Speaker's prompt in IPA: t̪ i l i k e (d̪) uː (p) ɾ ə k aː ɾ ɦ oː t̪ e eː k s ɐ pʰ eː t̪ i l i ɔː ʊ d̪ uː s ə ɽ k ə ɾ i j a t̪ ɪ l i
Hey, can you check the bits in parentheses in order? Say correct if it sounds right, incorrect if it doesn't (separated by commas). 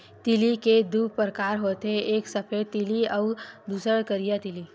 correct, correct